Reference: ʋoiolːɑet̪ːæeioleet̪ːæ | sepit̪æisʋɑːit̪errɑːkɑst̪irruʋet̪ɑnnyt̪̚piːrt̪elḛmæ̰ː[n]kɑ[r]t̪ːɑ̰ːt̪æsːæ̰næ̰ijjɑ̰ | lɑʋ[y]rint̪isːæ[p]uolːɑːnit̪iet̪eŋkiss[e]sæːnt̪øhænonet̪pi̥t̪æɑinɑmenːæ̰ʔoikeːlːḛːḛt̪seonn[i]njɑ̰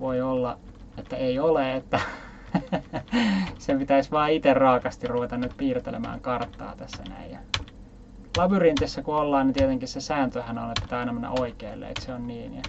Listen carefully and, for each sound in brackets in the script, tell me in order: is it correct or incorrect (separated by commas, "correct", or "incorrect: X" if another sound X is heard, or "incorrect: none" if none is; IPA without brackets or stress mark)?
incorrect: ŋ, correct, correct, incorrect: k, correct, incorrect: iː